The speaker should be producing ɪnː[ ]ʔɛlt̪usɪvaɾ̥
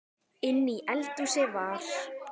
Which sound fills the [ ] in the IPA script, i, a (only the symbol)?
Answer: i